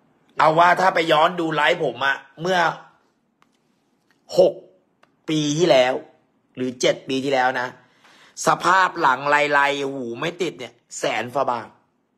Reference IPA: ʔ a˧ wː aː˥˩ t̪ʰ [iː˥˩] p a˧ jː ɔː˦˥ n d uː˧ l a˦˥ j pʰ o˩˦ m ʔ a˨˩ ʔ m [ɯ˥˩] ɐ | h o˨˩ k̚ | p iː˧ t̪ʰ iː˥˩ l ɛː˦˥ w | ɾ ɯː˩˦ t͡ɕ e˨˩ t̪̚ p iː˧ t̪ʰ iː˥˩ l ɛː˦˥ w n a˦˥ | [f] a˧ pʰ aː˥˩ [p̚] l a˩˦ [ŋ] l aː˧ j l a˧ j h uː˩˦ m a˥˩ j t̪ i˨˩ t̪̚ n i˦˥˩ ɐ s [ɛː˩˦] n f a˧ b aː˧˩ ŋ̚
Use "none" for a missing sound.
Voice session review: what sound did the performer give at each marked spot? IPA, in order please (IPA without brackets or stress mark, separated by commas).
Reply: aː˥˩, ɯ˥˩, s, p̚, ŋ, ɛː˩˦